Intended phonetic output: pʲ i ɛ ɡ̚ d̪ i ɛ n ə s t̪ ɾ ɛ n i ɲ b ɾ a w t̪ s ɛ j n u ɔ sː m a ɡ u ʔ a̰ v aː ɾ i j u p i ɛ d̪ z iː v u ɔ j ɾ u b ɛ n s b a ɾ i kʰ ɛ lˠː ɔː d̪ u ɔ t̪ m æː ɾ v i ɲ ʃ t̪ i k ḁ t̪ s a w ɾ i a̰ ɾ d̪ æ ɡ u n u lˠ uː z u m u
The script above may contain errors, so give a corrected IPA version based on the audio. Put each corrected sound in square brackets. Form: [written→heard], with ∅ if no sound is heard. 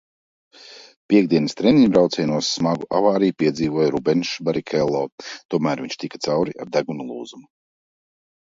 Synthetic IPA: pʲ i ɛ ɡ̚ d̪ i ɛ n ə s t̪ ɾ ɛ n i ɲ b ɾ a w t̪ s ɛ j n u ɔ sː m a ɡ u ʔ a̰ v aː ɾ i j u p i ɛ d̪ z iː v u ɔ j ɾ u b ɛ n [s→ʃ] b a ɾ i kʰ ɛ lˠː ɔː [d̪→t̪] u ɔ [t̪→∅] m æː ɾ v i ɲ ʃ t̪ i k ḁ t̪ s a w ɾ i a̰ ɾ d̪ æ ɡ u n u lˠ uː z u m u